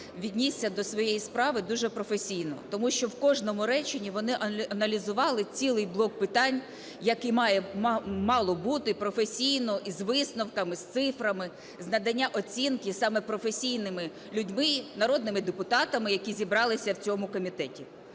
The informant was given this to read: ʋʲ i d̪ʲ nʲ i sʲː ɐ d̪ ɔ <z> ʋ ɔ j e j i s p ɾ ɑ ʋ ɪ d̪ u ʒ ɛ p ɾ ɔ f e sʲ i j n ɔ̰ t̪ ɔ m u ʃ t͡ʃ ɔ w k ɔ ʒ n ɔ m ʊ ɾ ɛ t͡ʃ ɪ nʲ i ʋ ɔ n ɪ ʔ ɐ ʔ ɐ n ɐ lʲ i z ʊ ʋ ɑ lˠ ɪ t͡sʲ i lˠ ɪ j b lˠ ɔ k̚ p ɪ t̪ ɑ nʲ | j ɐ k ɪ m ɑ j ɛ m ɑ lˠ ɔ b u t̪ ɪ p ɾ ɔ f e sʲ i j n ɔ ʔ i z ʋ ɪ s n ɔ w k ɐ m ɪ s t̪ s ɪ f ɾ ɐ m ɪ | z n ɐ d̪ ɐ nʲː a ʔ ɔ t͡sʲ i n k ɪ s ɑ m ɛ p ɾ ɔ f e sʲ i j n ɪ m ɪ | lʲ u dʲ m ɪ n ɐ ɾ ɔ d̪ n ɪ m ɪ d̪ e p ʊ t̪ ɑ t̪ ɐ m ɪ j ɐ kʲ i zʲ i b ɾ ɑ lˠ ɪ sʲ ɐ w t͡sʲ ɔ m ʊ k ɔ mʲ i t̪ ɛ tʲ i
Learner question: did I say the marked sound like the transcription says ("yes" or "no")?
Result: no